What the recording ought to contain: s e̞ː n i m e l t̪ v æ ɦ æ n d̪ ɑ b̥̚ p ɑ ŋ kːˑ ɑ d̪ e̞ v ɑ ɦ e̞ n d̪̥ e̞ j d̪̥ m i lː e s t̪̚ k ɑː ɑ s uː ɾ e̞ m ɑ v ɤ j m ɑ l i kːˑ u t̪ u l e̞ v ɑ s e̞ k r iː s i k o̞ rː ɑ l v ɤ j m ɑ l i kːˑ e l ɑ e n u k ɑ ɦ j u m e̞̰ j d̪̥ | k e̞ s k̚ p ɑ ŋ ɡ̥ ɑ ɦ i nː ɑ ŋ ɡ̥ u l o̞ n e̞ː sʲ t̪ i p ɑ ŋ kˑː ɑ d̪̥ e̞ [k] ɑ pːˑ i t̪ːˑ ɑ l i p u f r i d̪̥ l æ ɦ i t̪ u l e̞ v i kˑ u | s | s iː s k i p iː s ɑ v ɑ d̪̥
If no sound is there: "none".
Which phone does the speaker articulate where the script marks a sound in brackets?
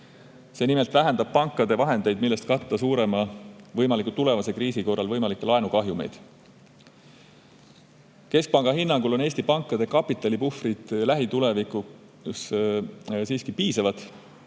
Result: k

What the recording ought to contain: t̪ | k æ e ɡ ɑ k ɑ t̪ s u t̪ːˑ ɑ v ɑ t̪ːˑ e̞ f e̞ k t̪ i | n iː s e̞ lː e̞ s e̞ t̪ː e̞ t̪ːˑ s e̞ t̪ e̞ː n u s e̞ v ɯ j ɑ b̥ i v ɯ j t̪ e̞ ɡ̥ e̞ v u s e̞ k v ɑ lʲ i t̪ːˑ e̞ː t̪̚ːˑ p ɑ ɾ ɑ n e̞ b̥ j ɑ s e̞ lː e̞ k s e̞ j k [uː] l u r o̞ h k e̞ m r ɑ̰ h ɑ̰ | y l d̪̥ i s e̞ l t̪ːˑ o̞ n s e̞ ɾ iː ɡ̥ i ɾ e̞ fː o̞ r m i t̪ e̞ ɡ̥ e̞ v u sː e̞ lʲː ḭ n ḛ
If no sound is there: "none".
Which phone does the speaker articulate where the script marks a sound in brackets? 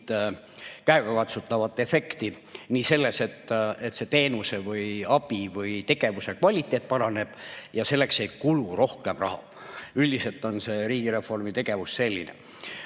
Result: u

